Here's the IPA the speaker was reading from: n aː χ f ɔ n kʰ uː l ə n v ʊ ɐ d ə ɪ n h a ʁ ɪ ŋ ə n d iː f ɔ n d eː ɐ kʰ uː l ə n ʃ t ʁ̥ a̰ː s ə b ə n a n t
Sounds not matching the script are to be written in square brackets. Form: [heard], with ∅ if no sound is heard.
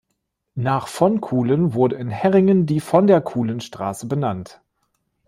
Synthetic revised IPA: n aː χ f ɔ n kʰ uː l ə n v ʊ ɐ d ə ɪ n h [ɛ] ʁ ɪ ŋ ə n d iː f ɔ n d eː ɐ kʰ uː l ə n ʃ t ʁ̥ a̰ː s ə b ə n a n t